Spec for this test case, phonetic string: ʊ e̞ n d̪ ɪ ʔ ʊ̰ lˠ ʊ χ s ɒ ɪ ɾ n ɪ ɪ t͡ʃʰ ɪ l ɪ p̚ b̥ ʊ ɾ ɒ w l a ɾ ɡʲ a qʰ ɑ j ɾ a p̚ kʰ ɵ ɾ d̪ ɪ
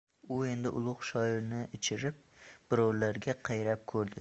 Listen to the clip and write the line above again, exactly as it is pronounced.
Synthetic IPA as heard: ʊ e̞ n d̪ ɪ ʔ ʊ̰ lˠ ʊ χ ʃ ɒ ɪ ɾ n ɪ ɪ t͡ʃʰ ɪ ɾ ɪ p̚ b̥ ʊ ɾ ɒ w l a ɾ ɡʲ a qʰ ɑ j ɾ a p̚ kʰ ɵ ɾ d̪ ɪ